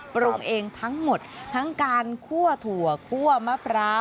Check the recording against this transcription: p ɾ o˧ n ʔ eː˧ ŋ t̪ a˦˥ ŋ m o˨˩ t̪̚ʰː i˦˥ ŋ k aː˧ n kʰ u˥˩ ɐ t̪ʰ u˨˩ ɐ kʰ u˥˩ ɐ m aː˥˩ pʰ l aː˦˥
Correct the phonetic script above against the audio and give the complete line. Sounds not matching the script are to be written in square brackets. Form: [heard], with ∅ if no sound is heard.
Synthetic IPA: p ɾ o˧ [ŋ] ʔ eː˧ ŋ [t̪ʰ] a˦˥ ŋ m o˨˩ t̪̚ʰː [a˦˥] ŋ k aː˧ n kʰ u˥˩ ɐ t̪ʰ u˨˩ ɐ kʰ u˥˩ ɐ m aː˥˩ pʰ [ɾ] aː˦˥